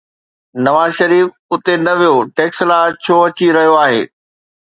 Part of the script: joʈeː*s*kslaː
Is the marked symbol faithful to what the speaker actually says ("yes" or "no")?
no